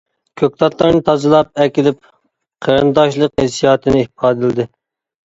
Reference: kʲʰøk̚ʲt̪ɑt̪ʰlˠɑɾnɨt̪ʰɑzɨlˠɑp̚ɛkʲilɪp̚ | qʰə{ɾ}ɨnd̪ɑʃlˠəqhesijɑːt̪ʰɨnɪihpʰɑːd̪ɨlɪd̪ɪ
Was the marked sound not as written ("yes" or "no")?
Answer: no